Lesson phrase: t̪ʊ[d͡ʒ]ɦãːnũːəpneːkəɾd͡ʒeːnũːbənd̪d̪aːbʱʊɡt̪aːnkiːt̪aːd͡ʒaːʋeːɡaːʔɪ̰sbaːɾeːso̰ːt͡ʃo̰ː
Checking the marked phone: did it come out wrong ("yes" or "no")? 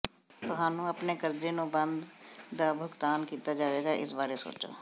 yes